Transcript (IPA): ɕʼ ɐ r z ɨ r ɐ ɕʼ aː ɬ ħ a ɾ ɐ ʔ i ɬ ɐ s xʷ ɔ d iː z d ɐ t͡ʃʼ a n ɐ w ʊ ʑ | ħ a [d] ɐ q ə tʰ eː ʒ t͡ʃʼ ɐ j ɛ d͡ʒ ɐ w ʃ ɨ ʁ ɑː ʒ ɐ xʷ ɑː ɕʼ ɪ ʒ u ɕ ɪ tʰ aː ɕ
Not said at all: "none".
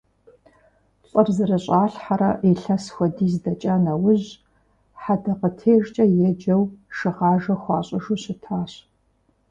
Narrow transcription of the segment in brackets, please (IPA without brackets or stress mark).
d